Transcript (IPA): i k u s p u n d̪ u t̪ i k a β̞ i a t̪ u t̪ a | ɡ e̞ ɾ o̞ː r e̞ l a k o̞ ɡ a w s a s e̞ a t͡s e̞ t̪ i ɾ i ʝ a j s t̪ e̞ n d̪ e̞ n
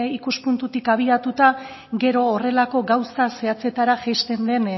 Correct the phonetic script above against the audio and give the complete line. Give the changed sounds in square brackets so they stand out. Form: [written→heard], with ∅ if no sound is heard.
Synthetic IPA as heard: i k u s p u n [d̪→t̪] u t̪ i k a β̞ i a t̪ u t̪ a | ɡ e̞ ɾ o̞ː r e̞ l a k o̞ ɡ a w s a s e̞ a t͡s e̞ t̪ [i→a] ɾ [i→a] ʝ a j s t̪ e̞ n d̪ e̞ n

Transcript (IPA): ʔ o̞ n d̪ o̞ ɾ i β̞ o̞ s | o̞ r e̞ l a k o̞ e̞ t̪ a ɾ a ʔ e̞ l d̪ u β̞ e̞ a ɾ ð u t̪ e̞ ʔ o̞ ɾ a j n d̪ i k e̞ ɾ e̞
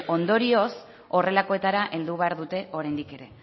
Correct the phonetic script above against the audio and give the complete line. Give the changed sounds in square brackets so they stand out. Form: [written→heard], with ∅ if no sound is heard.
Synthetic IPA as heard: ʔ o̞ n d̪ o̞ ɾ i [β̞→∅] o̞ s | o̞ r e̞ l a k o̞ e̞ t̪ a ɾ a ʔ e̞ l d̪ u β̞ e̞ a ɾ ð u t̪ e̞ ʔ o̞ ɾ a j n d̪ i k e̞ ɾ e̞

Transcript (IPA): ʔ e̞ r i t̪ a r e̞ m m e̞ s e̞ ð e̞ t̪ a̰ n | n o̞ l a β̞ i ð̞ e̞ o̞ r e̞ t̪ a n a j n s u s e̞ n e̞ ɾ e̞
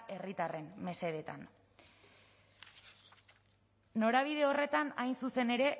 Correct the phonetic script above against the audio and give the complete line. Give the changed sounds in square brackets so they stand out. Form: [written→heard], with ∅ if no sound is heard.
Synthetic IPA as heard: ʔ e̞ r i t̪ a r e̞ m m e̞ s e̞ ð e̞ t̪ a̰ n | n o̞ [l→ɾ] a β̞ i ð̞ e̞ o̞ r e̞ t̪ a n a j n s u s e̞ n e̞ ɾ e̞

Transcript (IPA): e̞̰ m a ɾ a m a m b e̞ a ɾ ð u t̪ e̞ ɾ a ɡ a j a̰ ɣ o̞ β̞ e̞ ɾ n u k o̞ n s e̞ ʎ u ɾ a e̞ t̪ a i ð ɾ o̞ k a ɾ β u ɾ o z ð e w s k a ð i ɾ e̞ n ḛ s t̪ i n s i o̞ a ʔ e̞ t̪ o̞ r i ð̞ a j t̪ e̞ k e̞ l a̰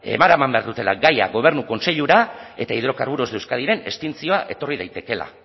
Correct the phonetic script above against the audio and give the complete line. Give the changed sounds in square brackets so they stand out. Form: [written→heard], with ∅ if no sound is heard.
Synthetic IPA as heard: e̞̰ m a ɾ a m a m b e̞ a ɾ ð u t̪ e̞ [ɾ→l] a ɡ a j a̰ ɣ o̞ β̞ e̞ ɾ n u k o̞ n s e̞ ʎ u ɾ a e̞ t̪ a i ð ɾ o̞ k a ɾ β u ɾ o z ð e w s k a ð i ɾ e̞ n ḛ s t̪ i n [s→t͡s] i o̞ a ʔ e̞ t̪ o̞ r i ð̞ a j t̪ e̞ k e̞ l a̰

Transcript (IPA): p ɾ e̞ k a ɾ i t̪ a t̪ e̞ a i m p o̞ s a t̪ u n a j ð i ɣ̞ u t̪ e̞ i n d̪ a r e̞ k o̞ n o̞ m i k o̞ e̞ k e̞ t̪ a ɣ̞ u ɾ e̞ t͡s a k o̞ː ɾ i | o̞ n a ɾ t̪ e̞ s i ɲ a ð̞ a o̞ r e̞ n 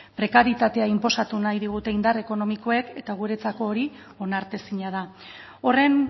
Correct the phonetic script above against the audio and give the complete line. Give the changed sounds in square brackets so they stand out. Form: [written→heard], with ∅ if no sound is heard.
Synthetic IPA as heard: p ɾ e̞ k a ɾ i t̪ a t̪ e̞ a i m p o̞ s a t̪ u n a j ð i ɣ̞ u t̪ e̞ i n d̪ a r e̞ k o̞ n o̞ m i k o̞ e̞ k e̞ t̪ a ɣ̞ u ɾ e̞ t͡s a k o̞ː ɾ i | o̞ n a ɾ t̪ e̞ s i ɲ a ð̞ a o̞ r e̞ n

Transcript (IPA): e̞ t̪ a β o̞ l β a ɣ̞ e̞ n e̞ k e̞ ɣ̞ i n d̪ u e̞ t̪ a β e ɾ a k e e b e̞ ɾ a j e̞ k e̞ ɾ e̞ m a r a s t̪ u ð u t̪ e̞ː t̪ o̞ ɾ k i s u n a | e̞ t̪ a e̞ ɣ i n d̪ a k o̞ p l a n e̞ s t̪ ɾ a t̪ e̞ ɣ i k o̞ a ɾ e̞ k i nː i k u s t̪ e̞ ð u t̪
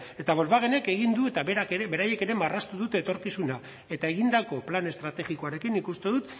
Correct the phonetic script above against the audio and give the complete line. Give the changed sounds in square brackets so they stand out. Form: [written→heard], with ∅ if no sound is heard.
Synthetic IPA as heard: e̞ t̪ a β o̞ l β a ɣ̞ e̞ n e̞ k e̞ ɣ̞ i n d̪ u e̞ t̪ a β e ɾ a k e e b e̞ ɾ a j e̞ k e̞ ɾ e̞ m a r a s t̪ u ð u t̪ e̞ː t̪ o̞ ɾ k i s u n a | e̞ t̪ a e̞ ɣ i n d̪ a k o̞ p l a n e̞ s t̪ ɾ a t̪ e̞ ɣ i k o̞ a ɾ e̞ k i nː i k u s t̪ e̞ ð u t̪

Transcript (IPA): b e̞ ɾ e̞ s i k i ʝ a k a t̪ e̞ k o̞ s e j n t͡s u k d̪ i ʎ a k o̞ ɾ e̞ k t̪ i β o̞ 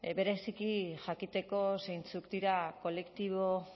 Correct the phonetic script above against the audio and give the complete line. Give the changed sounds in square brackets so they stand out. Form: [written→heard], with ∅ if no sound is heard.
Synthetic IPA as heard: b e̞ ɾ e̞ s i k i ʝ a k [a→i] t̪ e̞ k o̞ s e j n t͡s u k d̪ i [ʎ→ɾ] a k o̞ [ɾ→l] e̞ k t̪ i β o̞

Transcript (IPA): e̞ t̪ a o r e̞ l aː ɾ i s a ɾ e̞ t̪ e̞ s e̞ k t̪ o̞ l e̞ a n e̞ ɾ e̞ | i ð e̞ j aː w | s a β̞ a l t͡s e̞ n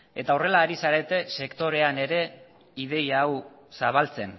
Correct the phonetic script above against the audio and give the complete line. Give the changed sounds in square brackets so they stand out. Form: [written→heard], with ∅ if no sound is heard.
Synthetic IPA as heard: e̞ t̪ a o r e̞ l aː ɾ i s a ɾ e̞ t̪ e̞ s e̞ k t̪ o̞ [l→ɾ] e̞ a n e̞ ɾ e̞ | i ð e̞ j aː w | s a β̞ a l t͡s e̞ n

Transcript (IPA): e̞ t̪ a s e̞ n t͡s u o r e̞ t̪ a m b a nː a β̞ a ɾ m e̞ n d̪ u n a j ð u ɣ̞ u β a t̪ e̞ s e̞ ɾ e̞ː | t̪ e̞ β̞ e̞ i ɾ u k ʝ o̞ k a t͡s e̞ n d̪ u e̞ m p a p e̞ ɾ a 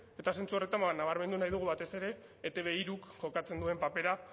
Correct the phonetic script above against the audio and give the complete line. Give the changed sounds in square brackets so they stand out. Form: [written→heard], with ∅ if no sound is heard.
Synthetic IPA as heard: e̞ t̪ a s e̞ n t͡s u o r e̞ t̪ a m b a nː a β̞ a ɾ m e̞ n d̪ u n a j ð u ɣ̞ u β a t̪ e̞ s e̞ ɾ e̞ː | t̪ e̞ β̞ e̞ i ɾ u k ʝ o̞ k a t͡s e̞ n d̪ u e̞ m p a p e̞ ɾ a

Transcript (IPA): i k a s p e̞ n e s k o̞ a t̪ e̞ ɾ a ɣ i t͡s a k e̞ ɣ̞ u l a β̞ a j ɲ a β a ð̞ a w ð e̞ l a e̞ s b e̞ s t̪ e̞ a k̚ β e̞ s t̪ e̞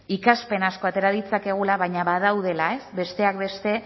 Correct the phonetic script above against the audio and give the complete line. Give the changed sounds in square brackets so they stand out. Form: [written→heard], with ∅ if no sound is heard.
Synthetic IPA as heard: i k a s p e̞ n [e→a] s k o̞ a t̪ e̞ ɾ a [ɣ→ð] i t͡s a k e̞ ɣ̞ u l a β̞ a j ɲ a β a ð̞ a w ð e̞ l a e̞ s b e̞ s t̪ e̞ a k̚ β e̞ s t̪ e̞

